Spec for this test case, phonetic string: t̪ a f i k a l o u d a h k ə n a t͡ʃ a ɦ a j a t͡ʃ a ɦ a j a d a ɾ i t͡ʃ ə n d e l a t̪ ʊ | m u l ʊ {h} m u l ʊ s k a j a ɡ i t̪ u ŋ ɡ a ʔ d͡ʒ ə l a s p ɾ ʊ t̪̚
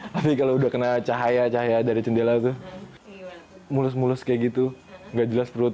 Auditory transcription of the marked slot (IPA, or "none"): s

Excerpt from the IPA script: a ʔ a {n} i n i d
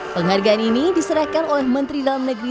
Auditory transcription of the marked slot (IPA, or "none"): n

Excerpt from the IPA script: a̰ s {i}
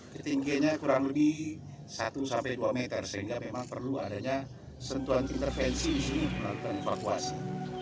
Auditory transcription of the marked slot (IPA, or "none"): i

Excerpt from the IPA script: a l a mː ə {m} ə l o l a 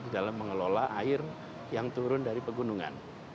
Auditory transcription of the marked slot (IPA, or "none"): ŋ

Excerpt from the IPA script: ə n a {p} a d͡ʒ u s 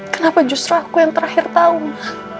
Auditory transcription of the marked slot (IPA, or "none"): p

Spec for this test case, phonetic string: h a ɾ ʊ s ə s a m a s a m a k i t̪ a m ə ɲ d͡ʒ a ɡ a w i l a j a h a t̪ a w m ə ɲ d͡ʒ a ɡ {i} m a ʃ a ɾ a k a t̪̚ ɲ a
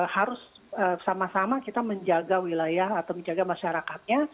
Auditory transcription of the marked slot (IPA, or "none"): a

